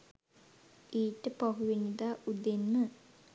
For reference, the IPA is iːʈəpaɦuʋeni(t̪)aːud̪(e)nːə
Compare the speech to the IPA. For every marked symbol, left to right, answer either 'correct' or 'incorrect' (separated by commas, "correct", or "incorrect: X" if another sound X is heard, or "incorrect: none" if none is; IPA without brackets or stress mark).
incorrect: d̪, correct